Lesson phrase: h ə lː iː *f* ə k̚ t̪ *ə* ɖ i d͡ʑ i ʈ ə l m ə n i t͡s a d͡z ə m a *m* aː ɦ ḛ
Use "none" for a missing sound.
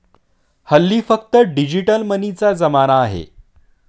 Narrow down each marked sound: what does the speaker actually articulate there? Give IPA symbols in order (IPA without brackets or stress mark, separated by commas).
f, ə, n